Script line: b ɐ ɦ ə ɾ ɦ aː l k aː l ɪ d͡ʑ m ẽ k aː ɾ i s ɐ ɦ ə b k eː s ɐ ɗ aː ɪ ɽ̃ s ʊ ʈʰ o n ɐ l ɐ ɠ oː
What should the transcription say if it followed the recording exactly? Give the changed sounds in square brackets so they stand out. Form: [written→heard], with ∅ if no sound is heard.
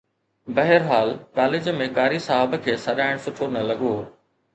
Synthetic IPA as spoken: b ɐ ɦ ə ɾ ɦ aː l k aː l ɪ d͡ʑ m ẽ k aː ɾ i s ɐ ɦ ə b [k→kʰ] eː s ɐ ɗ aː ɪ ɽ̃ s ʊ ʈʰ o n ɐ l ɐ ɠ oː